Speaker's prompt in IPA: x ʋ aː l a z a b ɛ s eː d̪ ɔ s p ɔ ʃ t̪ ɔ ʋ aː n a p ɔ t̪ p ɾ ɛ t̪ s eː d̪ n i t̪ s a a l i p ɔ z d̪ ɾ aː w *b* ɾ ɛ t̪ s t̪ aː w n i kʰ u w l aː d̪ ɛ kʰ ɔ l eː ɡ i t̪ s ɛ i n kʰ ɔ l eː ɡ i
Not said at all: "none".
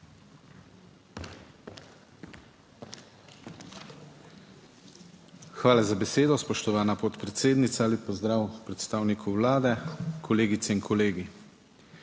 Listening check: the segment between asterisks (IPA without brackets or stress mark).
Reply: p